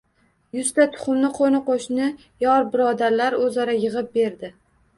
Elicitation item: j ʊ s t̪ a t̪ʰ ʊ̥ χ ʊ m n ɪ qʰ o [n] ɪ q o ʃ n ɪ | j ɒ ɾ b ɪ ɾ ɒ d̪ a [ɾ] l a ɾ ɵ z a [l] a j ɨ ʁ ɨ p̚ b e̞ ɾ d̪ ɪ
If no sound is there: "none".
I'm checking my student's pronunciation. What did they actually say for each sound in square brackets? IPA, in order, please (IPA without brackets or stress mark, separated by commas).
n, ɾ, ɾ